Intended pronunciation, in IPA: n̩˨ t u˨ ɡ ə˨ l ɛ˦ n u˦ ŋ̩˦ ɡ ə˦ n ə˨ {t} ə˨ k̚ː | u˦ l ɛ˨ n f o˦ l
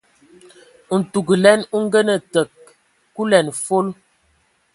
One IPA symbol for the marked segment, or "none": t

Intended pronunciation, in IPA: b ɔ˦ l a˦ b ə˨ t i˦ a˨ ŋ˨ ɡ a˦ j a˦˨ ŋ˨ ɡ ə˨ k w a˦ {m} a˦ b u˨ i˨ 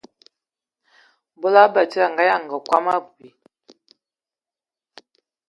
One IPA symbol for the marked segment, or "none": m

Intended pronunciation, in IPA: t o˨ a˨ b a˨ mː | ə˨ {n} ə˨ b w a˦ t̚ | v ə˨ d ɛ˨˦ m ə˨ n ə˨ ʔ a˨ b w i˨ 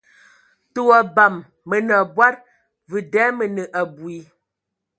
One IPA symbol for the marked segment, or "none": n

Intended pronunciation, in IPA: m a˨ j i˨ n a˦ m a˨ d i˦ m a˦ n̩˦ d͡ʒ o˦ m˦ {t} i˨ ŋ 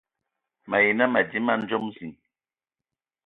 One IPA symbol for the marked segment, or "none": s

